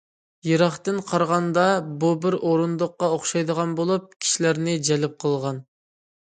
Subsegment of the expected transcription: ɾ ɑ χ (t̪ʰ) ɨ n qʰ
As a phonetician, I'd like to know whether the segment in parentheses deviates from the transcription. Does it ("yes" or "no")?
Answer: yes